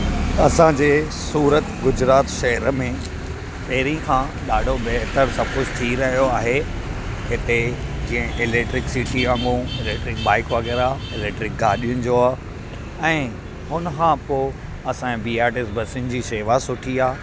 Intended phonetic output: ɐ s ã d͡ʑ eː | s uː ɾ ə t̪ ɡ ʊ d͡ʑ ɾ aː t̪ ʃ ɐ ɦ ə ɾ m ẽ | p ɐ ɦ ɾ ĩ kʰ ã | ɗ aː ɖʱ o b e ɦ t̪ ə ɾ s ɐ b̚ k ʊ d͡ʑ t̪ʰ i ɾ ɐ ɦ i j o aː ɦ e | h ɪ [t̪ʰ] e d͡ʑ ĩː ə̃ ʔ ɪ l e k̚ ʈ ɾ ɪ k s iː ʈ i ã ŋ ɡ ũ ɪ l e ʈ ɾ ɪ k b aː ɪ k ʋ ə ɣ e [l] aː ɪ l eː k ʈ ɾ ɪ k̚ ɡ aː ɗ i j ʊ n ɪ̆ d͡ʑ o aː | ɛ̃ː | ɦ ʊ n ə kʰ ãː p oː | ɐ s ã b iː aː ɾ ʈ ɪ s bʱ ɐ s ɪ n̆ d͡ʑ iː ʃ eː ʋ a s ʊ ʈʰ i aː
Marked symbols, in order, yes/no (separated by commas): no, no